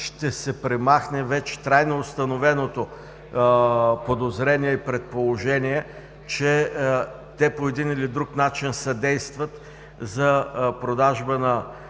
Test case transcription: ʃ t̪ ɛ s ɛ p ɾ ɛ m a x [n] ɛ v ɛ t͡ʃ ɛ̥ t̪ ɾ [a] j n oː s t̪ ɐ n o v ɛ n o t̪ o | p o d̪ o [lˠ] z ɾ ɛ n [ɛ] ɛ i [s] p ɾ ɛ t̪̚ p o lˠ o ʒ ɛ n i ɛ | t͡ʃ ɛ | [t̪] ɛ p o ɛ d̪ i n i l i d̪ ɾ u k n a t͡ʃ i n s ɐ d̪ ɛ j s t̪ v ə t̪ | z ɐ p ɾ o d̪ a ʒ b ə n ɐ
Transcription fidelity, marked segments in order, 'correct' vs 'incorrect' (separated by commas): correct, correct, incorrect, incorrect, incorrect, correct